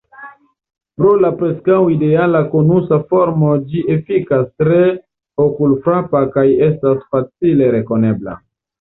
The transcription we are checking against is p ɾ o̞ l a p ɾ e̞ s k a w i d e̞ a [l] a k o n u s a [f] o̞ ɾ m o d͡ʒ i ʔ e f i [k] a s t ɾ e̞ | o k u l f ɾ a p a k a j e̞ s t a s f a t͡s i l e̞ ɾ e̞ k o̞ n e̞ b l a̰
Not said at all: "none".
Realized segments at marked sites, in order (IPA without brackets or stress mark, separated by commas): l, f, k